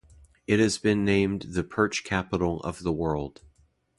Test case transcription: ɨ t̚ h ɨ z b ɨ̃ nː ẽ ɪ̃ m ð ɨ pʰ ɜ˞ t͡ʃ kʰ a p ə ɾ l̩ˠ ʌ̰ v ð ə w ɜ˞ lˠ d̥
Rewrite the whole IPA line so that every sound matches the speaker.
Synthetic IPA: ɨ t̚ h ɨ z b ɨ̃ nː ẽ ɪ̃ m ð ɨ pʰ ɜ˞ t͡ʃ kʰ æ p ə ɾ l̩ˠ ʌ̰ v ð ə w ɜ˞ lˠ d̥